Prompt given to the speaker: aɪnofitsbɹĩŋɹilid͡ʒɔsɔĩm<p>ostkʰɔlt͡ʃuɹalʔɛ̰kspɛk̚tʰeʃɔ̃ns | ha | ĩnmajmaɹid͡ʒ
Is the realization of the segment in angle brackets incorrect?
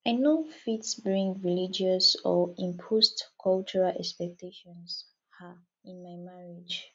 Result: yes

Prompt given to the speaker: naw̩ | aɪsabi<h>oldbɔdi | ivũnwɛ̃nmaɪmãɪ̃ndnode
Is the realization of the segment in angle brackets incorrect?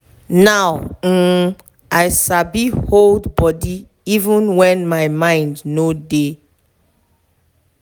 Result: no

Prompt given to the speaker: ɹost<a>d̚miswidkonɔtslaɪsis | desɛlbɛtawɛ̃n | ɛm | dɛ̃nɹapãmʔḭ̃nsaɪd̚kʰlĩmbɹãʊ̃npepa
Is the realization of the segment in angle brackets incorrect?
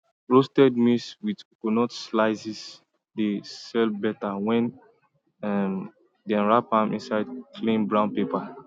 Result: yes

